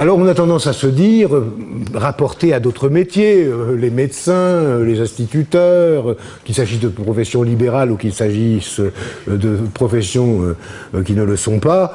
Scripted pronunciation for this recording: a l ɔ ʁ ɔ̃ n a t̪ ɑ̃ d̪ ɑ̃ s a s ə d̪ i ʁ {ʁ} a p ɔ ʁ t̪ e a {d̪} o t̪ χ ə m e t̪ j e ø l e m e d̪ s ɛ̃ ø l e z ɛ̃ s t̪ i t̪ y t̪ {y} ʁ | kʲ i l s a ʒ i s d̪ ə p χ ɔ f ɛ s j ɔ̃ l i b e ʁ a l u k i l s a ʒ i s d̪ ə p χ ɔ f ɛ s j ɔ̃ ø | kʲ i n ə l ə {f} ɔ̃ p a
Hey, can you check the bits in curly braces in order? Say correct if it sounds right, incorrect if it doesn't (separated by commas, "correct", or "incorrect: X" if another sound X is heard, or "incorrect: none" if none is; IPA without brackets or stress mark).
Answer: correct, correct, incorrect: œ, incorrect: s